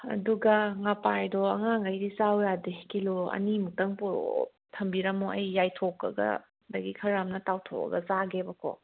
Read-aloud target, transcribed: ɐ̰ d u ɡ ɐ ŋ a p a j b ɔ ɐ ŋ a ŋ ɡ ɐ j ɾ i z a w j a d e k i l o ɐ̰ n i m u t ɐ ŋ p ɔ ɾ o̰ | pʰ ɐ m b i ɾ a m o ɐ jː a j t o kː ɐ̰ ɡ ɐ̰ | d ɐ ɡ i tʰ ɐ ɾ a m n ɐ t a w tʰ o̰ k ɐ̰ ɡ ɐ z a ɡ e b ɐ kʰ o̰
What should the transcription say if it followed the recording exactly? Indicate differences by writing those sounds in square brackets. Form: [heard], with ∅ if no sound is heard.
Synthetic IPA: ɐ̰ d u ɡ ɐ ŋ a p a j [d] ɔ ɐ ŋ a ŋ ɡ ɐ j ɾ i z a w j a d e k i l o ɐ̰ n i m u t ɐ ŋ p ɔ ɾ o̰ | [tʰ] ɐ m b i ɾ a m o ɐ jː a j [tʰ] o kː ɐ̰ ɡ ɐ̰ | d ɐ ɡ i [kʰ] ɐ ɾ a m n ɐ t a w tʰ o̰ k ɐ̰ ɡ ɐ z a ɡ e b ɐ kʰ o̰